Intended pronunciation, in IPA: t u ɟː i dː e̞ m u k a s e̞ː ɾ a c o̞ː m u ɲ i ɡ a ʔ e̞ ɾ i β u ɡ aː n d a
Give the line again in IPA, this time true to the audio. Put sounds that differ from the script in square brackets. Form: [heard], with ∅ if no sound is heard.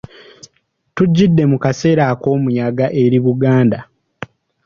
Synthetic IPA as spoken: t u ɟː i dː e̞ m u k a s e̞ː ɾ a [k] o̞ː m u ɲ [a] ɡ a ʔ e̞ ɾ i β u ɡ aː n d a